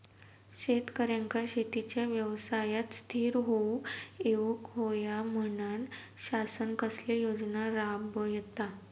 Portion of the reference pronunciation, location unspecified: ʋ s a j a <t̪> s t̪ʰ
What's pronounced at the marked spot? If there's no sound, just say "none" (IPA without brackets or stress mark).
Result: t̪